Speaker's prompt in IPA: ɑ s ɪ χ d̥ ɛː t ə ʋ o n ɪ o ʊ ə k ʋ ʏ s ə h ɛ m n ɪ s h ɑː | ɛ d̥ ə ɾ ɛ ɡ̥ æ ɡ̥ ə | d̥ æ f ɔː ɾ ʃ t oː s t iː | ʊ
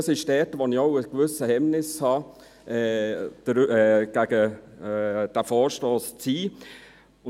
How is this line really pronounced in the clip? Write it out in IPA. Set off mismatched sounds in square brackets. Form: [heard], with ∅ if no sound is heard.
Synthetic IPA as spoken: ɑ s ɪ [ʃ] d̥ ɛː t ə ʋ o n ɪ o ʊ ə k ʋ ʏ s ə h ɛ m n ɪ s h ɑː | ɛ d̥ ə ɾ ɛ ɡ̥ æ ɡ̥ ə | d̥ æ f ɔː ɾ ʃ t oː s [t͡s] iː | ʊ